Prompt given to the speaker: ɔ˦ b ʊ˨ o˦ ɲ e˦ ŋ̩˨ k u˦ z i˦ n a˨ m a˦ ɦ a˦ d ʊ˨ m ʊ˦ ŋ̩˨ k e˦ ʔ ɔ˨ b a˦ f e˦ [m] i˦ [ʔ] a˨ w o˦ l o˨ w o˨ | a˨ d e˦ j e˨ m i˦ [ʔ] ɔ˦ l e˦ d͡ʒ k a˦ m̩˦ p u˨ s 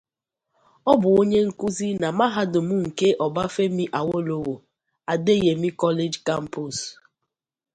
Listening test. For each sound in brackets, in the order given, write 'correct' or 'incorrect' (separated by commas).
correct, correct, incorrect